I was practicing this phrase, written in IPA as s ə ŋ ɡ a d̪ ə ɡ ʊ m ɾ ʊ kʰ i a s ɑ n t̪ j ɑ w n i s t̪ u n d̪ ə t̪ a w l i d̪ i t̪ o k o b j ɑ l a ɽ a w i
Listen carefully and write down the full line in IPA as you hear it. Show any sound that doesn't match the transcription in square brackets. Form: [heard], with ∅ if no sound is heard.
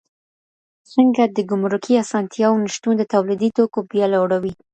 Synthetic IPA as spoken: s ə ŋ ɡ a d̪ ə ɡ ʊ m ɾ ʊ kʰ i a s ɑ n t̪ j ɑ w n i [ʃ] t̪ u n d̪ ə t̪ a w l i d̪ i t̪ o k o b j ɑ l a ɽ a w i